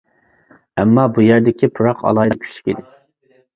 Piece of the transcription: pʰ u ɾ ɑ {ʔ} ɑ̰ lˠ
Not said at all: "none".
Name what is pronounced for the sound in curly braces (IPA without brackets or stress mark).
q